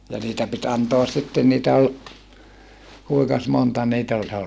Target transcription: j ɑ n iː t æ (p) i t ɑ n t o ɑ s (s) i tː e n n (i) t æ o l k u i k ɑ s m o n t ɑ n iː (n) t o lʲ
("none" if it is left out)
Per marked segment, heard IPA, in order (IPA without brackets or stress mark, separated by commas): p, s, iː, none